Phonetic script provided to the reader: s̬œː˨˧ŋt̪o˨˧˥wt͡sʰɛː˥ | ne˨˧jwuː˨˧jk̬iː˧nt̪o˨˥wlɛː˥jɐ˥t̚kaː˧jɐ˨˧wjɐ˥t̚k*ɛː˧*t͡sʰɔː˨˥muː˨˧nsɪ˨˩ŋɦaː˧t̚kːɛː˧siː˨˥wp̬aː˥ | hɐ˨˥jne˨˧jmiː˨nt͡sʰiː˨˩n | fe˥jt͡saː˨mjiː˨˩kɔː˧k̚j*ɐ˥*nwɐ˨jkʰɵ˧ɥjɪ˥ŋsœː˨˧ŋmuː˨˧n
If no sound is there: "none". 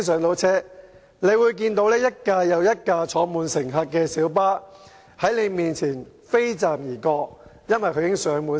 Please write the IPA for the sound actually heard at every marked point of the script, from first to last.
aː˧, ɐ˥

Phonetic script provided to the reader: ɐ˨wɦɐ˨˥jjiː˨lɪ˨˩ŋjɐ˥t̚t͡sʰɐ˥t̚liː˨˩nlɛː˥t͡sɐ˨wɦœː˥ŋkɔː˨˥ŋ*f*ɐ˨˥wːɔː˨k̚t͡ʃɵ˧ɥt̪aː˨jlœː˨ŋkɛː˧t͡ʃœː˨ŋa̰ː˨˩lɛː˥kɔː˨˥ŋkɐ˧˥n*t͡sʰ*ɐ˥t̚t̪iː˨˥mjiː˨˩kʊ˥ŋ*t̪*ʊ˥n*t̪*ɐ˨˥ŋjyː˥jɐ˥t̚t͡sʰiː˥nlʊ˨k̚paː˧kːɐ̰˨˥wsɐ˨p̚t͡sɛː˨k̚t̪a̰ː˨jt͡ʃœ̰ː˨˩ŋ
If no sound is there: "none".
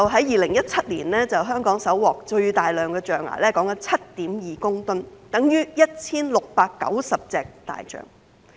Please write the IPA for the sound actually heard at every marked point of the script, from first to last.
s, t͡sʰ, t̪, t̪

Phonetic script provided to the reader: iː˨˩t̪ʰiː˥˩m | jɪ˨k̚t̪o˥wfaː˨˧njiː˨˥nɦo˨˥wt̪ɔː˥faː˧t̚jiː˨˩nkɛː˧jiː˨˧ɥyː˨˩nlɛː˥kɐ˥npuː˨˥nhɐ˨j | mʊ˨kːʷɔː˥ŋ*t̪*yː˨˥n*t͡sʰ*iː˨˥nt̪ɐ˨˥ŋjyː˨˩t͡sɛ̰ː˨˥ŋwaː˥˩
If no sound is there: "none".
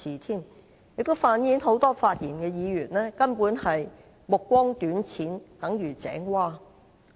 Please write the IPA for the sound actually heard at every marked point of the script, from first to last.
t̪, t͡sʰ

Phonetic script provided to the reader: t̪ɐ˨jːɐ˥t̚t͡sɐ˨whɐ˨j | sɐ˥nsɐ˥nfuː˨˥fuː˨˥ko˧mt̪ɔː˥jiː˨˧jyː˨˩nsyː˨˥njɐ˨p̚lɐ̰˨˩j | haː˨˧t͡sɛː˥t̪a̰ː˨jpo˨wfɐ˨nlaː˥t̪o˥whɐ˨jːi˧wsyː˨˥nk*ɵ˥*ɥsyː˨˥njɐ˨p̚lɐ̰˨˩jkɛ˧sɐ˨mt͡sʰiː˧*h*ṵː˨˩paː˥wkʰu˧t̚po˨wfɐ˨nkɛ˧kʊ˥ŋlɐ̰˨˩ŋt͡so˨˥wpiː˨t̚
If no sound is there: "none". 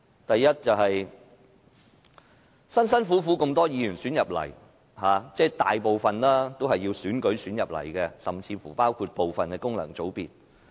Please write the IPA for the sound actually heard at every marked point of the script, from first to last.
ɵ˨˥, f

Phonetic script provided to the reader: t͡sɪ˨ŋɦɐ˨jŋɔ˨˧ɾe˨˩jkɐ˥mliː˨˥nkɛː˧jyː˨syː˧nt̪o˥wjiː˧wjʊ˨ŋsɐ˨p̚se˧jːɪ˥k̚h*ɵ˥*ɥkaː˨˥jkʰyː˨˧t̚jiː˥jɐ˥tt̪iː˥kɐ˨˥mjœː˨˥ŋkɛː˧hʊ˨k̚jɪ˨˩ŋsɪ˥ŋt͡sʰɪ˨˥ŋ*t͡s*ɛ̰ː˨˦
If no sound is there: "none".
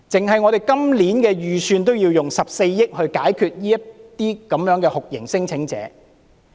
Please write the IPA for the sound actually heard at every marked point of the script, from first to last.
ɵ˧, t͡s

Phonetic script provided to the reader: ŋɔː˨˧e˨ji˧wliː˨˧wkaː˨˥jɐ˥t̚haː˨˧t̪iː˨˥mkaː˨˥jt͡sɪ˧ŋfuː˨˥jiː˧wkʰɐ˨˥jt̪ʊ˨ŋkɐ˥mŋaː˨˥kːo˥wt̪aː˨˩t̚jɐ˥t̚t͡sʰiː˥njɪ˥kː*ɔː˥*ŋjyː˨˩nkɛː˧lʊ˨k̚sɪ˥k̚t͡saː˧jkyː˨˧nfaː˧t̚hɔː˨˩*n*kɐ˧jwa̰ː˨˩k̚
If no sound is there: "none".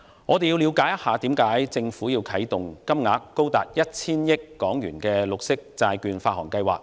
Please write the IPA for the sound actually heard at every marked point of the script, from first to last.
ɔː˨˥, ŋ

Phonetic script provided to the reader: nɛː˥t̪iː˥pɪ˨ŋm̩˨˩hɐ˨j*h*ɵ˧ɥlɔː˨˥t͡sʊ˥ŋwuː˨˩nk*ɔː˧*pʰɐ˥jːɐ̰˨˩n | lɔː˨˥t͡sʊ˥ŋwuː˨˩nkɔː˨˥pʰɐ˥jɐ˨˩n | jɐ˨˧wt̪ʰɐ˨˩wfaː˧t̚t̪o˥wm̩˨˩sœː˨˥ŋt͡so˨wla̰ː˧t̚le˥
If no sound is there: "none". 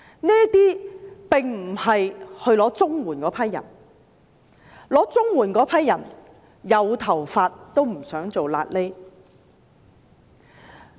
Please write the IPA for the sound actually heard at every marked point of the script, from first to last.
h, ɔː˨˥

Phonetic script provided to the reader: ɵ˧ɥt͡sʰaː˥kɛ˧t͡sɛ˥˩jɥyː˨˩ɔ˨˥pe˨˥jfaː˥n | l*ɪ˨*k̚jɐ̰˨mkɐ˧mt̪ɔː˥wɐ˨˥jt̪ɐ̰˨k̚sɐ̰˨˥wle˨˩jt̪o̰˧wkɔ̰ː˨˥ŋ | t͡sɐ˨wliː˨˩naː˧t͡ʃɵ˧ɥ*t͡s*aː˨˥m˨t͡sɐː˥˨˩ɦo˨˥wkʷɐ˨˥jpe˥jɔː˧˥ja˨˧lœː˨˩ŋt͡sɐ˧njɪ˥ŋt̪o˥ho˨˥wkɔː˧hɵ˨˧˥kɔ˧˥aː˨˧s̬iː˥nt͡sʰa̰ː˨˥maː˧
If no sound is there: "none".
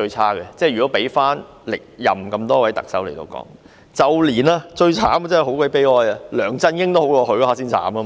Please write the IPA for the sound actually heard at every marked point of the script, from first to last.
ɪ˨, t͡sʰ

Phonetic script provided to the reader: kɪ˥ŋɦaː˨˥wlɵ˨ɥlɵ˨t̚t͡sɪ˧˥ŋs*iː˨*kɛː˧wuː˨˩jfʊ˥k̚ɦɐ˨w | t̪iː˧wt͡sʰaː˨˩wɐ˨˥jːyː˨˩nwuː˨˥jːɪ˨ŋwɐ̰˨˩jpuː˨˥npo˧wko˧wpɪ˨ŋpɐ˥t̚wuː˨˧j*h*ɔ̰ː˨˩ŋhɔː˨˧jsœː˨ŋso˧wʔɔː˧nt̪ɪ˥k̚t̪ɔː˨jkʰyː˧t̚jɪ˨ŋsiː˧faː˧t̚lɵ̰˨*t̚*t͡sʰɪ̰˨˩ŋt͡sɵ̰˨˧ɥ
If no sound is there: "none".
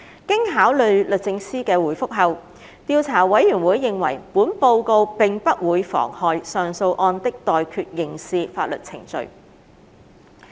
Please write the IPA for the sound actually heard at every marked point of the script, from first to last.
iː˥, f, t̚

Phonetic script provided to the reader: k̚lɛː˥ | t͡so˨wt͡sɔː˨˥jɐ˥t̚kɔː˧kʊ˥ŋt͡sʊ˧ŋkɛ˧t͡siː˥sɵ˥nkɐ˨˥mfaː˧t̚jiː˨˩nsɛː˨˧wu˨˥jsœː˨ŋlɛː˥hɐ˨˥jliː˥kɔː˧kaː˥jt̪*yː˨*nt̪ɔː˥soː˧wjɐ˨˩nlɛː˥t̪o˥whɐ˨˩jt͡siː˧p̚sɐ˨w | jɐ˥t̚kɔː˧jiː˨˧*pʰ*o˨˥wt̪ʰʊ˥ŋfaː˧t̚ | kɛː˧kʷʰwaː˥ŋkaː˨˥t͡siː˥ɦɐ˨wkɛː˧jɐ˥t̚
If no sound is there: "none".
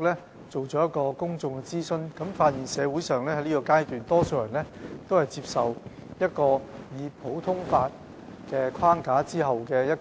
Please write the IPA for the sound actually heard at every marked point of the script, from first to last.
yː˨, pʰ

